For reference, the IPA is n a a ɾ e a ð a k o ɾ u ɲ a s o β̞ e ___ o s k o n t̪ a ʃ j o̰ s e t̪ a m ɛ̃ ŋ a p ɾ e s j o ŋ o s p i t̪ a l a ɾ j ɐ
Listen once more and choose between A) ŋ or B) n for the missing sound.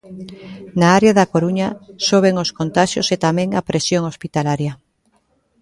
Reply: A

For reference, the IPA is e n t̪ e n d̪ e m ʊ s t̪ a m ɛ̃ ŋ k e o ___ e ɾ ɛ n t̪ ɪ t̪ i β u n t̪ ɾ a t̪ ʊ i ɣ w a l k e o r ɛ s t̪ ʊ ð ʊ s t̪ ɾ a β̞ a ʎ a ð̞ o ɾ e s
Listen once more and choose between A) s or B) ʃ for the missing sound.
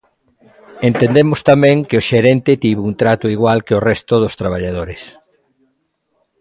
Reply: B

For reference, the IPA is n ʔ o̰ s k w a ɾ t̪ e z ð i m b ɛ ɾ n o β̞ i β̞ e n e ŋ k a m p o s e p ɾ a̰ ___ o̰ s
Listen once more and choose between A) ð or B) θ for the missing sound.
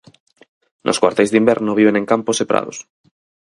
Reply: A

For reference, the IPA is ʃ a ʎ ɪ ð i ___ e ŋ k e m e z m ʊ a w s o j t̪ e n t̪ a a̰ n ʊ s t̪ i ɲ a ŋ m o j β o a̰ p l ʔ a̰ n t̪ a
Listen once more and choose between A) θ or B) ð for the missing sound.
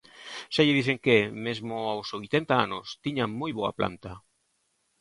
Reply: A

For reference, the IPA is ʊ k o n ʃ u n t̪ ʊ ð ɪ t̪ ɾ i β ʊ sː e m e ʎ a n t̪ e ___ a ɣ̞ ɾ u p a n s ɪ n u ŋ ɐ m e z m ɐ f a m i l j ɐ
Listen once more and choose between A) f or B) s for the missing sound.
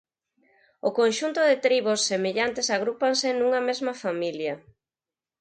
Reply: B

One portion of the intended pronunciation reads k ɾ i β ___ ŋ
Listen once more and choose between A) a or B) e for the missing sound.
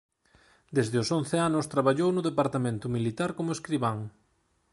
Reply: A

